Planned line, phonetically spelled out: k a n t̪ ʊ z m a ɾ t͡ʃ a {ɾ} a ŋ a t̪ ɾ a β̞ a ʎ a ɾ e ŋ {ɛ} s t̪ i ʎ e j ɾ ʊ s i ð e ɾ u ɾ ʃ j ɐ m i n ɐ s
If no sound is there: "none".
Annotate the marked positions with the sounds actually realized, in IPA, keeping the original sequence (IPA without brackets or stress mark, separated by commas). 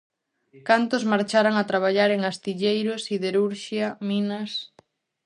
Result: ɾ, a